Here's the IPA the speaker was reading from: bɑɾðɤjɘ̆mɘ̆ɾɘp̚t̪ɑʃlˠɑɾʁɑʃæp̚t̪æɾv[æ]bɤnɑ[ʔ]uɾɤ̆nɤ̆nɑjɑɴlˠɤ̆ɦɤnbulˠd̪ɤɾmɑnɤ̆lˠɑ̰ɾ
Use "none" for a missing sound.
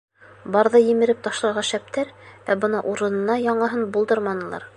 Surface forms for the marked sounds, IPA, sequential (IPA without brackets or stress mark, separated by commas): æ, ʔ